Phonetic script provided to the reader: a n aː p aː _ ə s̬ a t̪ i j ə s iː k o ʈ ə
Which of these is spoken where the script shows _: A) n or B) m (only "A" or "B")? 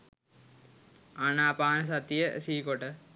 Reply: A